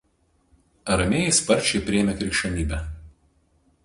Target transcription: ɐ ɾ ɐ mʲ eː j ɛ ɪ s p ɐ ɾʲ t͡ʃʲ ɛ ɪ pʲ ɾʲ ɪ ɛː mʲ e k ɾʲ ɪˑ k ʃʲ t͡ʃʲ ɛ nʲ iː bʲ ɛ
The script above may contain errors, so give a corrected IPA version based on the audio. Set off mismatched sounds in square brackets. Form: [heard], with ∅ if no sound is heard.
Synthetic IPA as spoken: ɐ ɾ ɐ mʲ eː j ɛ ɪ s p ɐ ɾʲ t͡ʃʲ ɛ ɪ pʲ ɾʲ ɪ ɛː mʲ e k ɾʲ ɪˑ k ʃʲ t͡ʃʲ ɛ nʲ iː bʲ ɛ